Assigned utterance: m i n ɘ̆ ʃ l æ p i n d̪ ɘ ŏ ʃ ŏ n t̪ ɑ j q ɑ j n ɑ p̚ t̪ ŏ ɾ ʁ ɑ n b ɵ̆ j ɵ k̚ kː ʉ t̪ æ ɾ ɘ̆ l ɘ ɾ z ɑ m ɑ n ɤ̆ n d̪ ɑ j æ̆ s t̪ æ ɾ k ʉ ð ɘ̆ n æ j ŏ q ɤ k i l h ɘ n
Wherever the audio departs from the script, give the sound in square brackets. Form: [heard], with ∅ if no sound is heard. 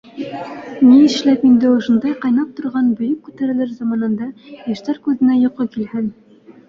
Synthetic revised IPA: m i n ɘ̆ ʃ l æ p i n d̪ ɘ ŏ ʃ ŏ n [d̪] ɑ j q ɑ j n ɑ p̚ t̪ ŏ ɾ ʁ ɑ n b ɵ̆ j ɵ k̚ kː ʉ t̪ æ ɾ ɘ̆ l ɘ ɾ z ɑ m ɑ n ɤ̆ n d̪ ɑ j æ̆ [ʃ] t̪ æ ɾ k ʉ ð ɘ̆ n æ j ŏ q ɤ k i l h ɘ n